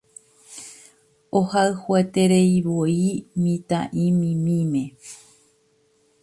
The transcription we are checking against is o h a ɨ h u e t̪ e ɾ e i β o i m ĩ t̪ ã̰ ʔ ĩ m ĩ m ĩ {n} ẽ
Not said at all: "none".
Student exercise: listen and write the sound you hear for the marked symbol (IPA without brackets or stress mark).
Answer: m